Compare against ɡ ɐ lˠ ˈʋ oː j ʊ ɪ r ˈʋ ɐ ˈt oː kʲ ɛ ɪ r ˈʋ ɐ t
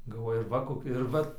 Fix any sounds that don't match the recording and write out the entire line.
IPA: ɡ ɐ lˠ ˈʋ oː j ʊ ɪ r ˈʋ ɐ ˈk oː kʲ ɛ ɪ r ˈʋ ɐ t